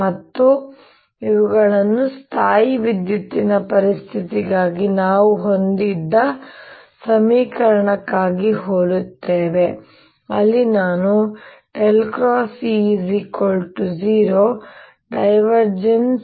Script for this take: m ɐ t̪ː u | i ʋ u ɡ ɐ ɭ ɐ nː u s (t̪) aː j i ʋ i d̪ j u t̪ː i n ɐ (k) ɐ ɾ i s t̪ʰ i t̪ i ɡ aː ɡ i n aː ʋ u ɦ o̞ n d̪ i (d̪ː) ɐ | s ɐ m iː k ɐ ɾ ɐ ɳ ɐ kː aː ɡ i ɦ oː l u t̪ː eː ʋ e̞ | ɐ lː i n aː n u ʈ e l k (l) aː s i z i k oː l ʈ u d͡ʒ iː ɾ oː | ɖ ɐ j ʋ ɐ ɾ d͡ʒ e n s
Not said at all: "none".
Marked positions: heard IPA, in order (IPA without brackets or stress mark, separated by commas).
t̪ʰ, p, d̪ː, ɾ